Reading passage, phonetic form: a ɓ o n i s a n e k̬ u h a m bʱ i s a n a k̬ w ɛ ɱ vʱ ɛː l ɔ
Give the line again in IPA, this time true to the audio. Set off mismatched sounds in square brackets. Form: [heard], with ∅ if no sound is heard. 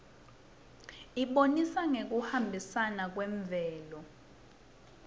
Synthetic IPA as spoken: [i] ɓ o n i s a [ŋ] e k̬ u h a m bʱ i s a n a k̬ w ɛ ɱ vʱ ɛː l ɔ